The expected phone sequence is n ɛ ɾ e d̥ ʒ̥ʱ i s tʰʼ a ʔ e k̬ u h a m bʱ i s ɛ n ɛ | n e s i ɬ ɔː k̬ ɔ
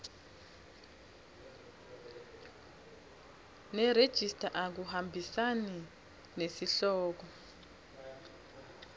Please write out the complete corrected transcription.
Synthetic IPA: n ɛ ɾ e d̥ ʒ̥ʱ i s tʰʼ a ʔ a k̬ u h a m bʱ i s a n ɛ | n e s i ɬ ɔː k̬ ɔ